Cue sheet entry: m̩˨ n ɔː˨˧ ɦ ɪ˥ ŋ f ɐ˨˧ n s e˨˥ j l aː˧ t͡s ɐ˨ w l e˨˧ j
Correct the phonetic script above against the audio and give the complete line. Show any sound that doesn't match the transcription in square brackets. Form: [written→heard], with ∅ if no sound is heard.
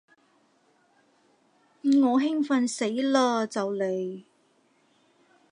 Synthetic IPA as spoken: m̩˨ [n→ŋ] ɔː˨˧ ɦ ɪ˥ ŋ f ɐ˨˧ n s e˨˥ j l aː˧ t͡s ɐ˨ w l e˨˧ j